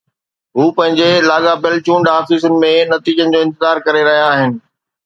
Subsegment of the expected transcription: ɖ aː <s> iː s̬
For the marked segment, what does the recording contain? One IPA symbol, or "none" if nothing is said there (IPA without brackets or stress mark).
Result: f